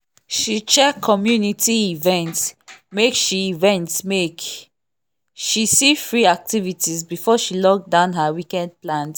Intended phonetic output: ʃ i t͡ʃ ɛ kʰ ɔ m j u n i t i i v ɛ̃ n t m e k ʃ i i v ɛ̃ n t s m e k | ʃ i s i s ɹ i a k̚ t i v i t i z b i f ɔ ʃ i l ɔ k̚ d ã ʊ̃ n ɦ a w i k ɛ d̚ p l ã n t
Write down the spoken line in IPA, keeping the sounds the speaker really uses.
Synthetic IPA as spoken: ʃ i t͡ʃ ɛ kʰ ɔ m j u n i t i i v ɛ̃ n t m e k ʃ i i v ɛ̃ n t s m e k | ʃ i s i f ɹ i a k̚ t i v i t i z b i f ɔ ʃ i l ɔ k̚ d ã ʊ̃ n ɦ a w i k ɛ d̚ p l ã n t